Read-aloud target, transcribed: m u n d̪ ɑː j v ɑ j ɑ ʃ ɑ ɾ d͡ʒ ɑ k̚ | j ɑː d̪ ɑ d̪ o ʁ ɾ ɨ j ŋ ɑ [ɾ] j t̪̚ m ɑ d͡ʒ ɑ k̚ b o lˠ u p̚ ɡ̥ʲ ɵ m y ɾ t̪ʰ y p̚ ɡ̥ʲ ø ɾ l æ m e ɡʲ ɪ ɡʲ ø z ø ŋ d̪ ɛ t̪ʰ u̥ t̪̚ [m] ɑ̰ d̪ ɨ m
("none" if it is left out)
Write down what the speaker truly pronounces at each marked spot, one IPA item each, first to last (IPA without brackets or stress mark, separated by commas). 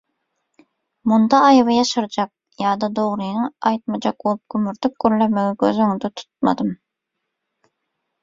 none, m